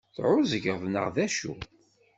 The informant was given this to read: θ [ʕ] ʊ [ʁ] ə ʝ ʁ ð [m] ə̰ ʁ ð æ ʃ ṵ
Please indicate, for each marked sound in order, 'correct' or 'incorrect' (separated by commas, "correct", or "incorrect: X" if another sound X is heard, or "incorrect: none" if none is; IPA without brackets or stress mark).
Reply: correct, incorrect: z, incorrect: n